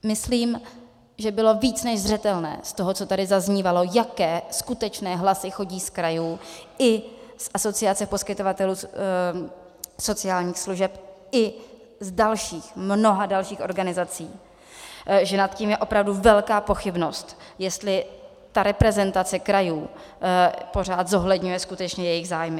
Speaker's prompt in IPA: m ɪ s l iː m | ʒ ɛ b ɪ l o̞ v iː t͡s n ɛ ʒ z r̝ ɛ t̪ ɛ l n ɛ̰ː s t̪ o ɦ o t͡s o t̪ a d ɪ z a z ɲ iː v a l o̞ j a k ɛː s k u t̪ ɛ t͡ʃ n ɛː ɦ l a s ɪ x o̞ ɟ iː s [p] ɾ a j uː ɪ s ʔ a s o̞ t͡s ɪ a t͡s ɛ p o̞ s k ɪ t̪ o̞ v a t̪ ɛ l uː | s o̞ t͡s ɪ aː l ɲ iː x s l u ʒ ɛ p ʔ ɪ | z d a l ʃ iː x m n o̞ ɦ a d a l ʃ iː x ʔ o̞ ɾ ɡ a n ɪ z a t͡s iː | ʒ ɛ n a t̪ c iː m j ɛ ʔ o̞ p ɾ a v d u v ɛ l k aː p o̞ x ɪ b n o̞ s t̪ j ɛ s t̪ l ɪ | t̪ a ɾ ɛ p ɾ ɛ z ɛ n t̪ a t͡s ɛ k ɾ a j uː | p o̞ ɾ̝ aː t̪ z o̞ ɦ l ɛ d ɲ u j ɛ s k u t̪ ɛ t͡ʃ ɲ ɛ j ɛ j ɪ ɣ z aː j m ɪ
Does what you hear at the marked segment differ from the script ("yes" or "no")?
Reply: yes